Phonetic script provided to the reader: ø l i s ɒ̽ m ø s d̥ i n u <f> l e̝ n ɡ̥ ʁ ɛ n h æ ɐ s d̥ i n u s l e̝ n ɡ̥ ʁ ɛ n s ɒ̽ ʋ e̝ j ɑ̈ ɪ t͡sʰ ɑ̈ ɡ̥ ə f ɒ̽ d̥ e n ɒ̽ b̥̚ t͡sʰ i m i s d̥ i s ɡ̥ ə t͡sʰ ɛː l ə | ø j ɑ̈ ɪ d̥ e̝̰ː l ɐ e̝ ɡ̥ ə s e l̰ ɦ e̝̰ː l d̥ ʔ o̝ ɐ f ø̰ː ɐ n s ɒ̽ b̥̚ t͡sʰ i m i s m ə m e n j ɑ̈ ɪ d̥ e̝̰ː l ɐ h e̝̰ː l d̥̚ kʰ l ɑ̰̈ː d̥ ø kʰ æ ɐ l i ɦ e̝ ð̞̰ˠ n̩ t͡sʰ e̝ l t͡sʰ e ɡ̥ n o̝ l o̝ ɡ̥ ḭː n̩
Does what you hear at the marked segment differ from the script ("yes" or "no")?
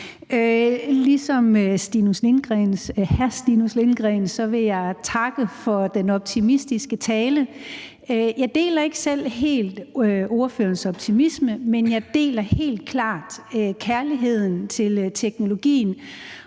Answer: yes